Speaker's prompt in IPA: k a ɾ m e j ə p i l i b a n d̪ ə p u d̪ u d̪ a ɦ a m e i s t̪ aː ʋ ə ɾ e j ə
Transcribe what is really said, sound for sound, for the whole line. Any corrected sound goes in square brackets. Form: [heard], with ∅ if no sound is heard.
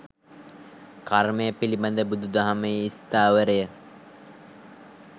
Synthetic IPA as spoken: k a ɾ m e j ə p i l i b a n d̪ ə [b] u d̪ u d̪ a ɦ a m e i s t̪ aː ʋ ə ɾ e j ə